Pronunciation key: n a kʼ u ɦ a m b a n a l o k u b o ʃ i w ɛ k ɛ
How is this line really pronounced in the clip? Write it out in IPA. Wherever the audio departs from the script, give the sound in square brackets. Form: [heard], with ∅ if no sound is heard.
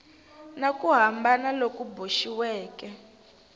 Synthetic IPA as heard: n a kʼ u ɦ a m b a n a l o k u b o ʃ i w [ɛː] k ɛ